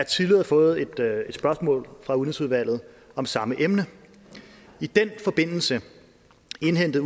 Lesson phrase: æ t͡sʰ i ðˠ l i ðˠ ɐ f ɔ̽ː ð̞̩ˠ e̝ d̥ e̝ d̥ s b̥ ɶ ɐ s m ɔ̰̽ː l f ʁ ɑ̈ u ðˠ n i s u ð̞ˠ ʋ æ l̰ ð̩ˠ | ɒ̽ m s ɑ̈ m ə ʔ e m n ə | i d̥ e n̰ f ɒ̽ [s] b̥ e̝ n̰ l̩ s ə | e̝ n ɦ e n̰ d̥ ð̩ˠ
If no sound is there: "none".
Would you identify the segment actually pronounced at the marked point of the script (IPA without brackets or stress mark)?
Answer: none